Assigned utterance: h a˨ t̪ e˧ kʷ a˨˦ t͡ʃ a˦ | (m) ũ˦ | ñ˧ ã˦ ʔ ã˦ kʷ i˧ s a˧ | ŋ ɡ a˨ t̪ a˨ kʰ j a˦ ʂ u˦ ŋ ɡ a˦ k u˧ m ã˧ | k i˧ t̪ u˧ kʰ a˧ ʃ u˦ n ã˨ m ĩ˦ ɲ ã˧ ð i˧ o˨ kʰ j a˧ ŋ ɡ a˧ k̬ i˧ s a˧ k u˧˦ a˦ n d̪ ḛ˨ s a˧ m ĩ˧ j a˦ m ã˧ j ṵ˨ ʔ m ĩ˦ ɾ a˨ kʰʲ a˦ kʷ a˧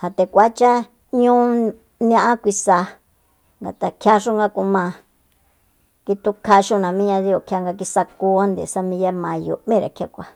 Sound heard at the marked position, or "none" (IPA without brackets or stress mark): ɲ